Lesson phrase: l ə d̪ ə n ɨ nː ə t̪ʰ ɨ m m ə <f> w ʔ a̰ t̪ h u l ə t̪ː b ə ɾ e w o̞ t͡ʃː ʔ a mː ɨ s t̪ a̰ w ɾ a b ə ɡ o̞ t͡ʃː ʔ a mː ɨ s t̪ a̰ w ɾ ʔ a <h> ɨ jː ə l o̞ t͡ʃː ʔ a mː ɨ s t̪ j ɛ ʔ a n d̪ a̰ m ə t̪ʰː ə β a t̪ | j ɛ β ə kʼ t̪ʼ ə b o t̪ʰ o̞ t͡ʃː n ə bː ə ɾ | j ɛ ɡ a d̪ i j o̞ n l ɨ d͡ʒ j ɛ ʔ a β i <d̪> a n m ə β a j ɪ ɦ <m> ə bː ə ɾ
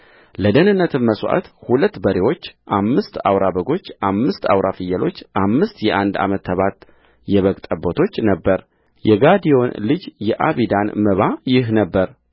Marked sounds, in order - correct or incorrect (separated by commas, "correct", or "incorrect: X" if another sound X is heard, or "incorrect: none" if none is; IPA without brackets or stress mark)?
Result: incorrect: s, incorrect: f, correct, incorrect: n